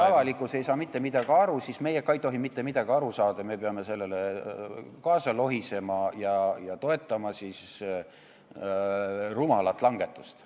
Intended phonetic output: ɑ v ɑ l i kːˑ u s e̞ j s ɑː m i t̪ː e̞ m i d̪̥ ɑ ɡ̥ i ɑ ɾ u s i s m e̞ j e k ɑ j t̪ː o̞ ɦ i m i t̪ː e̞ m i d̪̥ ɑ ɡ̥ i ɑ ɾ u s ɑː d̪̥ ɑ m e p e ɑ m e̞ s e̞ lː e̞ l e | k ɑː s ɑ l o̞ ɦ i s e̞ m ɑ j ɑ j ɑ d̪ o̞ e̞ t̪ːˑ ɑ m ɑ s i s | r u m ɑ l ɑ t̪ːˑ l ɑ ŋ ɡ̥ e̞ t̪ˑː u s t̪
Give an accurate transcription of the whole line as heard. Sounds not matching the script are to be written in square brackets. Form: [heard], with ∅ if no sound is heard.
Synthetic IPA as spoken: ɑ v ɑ l i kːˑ u s e̞ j s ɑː m i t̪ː e̞ m i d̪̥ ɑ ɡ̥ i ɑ ɾ u s i s m e̞ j e k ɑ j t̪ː o̞ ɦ i m i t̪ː e̞ m i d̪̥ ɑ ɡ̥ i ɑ ɾ u s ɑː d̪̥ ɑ m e p e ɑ m e̞ s e̞ lː e̞ l e | k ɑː s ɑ l o̞ ɦ i s e̞ m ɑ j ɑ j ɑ [t̪] o̞ e̞ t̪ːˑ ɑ m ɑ s i s | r u m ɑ l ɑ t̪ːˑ l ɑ ŋ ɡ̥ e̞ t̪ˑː u s t̪